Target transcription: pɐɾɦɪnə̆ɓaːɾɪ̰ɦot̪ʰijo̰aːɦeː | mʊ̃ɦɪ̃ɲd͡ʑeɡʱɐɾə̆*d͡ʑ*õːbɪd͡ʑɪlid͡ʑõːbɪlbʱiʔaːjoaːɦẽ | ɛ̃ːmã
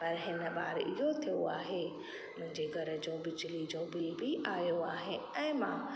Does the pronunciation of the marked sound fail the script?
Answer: no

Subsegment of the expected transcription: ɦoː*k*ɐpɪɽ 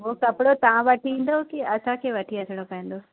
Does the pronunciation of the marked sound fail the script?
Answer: no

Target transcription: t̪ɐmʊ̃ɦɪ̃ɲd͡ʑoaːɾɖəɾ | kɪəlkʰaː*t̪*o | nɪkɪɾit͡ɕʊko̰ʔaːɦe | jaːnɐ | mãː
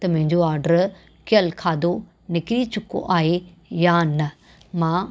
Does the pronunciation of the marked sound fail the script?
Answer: yes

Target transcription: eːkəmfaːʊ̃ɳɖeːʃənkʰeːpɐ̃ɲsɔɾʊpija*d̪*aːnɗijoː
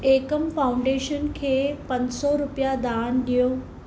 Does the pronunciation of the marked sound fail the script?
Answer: no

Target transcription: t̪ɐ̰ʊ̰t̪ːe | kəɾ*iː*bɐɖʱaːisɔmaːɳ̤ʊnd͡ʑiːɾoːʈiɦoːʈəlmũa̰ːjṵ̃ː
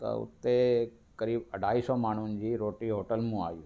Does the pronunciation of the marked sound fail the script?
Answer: no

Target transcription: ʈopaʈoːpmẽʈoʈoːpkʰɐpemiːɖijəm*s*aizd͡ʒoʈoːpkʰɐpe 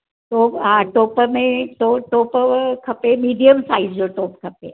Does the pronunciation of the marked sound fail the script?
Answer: no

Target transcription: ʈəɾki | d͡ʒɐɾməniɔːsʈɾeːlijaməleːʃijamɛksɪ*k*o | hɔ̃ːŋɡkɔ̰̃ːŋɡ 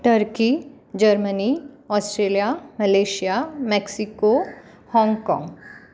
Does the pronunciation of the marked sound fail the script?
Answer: no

